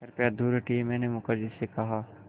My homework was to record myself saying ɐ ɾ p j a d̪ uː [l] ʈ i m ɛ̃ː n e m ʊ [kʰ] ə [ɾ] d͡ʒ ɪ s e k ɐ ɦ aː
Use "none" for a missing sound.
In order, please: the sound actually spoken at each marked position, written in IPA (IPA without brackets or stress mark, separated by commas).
ɾ, k, ɾ